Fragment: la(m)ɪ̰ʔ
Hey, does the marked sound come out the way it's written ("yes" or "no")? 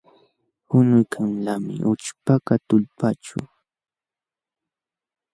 yes